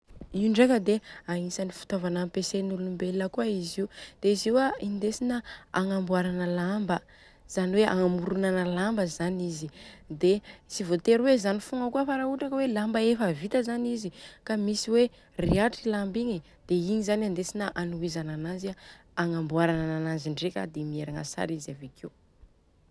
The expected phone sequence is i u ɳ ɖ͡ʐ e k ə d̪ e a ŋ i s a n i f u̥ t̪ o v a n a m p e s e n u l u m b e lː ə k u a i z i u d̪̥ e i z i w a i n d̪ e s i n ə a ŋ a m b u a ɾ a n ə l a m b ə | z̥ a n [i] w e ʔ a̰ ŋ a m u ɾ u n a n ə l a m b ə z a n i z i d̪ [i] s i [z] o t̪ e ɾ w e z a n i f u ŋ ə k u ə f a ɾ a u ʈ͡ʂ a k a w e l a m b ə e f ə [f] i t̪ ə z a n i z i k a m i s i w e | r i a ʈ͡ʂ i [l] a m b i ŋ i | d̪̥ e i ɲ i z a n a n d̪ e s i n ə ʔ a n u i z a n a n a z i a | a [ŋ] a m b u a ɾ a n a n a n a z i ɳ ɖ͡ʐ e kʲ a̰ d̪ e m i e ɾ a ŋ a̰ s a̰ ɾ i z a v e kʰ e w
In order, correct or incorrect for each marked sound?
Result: correct, incorrect, incorrect, incorrect, correct, correct

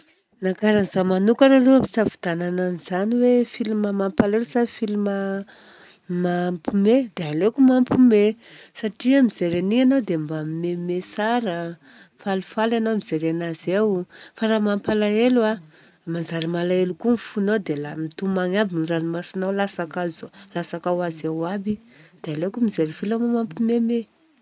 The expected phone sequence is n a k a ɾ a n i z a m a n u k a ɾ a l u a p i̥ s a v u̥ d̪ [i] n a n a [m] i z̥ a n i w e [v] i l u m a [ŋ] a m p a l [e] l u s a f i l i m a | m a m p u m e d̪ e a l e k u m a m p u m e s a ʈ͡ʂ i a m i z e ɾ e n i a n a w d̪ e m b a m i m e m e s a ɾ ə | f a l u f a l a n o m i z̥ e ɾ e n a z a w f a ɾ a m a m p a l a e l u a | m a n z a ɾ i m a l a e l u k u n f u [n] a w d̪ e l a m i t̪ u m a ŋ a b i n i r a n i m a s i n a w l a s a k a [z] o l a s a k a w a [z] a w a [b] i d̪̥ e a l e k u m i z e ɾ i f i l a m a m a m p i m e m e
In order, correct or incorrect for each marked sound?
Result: incorrect, incorrect, incorrect, incorrect, correct, correct, correct, correct, correct

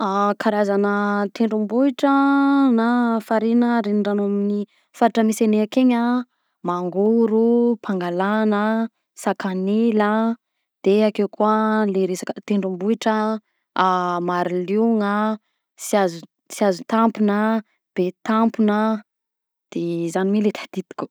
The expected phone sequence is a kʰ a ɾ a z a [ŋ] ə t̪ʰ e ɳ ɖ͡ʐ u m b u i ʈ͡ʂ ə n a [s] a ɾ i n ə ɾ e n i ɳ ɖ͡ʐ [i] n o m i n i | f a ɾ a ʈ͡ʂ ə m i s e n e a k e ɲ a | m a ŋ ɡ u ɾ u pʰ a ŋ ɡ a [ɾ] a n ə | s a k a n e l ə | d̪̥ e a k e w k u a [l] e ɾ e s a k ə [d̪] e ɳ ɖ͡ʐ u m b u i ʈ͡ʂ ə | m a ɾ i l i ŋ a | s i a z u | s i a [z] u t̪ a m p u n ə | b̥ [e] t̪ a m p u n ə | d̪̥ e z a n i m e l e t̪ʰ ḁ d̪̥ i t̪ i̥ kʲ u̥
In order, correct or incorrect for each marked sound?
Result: incorrect, incorrect, incorrect, incorrect, correct, incorrect, correct, correct

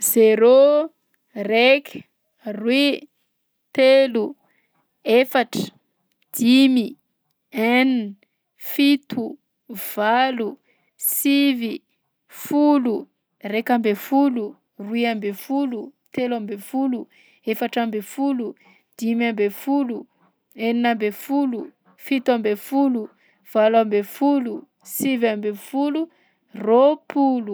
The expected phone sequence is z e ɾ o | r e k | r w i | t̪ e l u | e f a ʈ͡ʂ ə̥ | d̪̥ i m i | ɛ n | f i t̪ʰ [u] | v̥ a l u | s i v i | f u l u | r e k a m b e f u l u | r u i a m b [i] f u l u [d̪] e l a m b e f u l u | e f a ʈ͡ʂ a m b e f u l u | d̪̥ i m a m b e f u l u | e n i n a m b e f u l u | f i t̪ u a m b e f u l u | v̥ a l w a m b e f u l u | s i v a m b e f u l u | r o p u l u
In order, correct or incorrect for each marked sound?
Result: correct, incorrect, incorrect

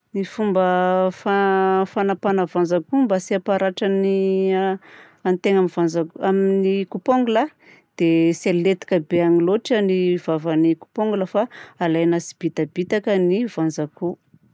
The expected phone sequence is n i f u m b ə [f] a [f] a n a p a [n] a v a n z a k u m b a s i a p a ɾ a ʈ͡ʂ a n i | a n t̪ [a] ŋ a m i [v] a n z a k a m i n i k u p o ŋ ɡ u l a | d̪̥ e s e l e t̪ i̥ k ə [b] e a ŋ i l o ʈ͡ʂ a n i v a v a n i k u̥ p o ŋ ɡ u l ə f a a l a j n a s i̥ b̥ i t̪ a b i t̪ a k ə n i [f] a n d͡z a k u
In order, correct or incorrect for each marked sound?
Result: correct, correct, correct, incorrect, correct, correct, incorrect

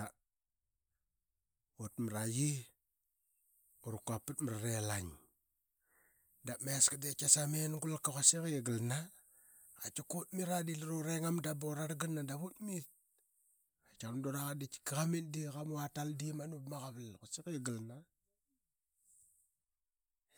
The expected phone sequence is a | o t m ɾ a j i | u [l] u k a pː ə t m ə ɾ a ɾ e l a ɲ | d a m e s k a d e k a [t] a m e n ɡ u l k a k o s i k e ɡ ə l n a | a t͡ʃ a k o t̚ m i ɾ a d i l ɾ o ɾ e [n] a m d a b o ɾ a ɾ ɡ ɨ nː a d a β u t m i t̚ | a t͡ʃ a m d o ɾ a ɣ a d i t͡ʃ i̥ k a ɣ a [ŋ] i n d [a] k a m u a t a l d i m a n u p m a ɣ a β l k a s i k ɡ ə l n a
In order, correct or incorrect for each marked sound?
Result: incorrect, incorrect, incorrect, incorrect, incorrect

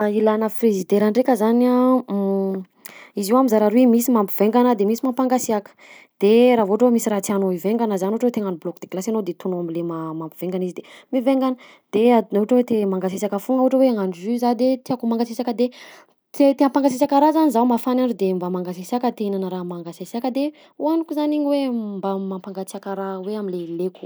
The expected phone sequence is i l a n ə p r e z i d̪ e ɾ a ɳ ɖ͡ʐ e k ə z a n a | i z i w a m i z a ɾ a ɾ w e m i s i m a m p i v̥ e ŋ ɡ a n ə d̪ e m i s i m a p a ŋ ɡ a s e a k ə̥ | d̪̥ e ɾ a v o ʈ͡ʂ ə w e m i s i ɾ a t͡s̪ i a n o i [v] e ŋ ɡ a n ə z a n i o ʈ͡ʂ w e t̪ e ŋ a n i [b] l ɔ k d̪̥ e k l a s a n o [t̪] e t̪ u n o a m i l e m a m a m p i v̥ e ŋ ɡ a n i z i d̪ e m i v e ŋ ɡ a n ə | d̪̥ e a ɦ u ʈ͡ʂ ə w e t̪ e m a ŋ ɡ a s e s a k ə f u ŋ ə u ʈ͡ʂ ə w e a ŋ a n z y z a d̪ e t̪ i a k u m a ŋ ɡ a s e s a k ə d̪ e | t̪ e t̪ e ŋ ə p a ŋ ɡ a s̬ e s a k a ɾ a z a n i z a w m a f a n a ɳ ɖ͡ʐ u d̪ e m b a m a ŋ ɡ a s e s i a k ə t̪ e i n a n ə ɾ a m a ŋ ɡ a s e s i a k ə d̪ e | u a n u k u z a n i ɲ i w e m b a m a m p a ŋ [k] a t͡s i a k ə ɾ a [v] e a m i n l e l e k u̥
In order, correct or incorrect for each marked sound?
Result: correct, correct, incorrect, incorrect, incorrect

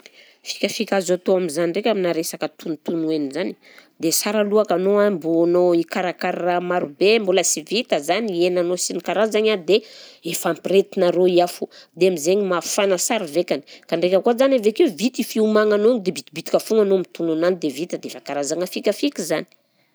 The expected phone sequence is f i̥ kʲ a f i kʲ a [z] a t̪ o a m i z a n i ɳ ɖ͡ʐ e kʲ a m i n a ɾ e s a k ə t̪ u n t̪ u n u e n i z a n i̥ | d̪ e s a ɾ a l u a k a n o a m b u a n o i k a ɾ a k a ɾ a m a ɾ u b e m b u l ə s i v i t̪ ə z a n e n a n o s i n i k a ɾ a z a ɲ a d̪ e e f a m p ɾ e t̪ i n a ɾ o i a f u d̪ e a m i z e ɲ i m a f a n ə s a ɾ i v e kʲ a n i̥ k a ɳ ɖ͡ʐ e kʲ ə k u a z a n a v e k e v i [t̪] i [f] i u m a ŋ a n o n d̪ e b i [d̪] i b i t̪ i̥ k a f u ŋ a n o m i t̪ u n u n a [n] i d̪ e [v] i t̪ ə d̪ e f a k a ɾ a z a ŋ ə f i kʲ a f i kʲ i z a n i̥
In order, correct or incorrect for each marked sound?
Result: correct, correct, correct, incorrect, correct, correct

